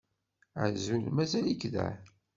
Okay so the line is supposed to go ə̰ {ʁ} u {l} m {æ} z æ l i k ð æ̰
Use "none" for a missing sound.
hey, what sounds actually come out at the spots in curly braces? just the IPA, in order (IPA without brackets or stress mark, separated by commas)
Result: z, l, æ